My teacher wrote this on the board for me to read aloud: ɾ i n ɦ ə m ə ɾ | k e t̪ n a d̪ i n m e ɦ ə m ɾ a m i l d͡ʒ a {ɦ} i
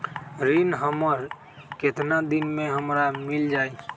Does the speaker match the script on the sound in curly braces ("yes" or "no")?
no